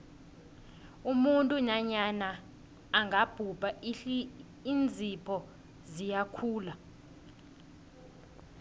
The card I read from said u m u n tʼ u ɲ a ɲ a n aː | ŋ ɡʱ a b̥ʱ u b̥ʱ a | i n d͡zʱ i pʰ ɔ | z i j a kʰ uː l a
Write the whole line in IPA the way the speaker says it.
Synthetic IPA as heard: u m u n tʼ u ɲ a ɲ a n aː | ŋ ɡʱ a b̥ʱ u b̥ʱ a | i n d͡zʱ i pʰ ɔ | z i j a kʰ uː l a